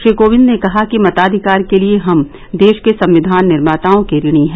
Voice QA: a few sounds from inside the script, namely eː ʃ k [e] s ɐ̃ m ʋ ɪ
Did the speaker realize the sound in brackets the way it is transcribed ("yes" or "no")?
yes